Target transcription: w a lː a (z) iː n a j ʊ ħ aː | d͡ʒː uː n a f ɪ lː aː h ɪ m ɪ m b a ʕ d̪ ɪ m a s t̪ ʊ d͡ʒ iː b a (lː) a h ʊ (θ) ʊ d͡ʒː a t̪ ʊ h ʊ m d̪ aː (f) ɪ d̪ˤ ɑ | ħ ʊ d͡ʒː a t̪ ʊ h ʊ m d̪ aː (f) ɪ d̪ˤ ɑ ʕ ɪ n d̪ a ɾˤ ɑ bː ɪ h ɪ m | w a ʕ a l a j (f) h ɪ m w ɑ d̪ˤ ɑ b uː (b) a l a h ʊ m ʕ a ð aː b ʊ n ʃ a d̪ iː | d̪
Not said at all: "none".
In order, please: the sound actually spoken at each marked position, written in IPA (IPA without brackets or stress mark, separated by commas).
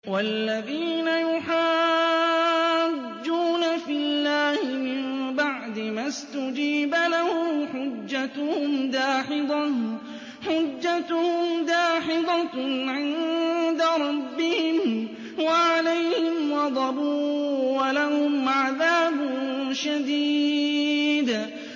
ð, l, ħ, ħ, ħ, h, w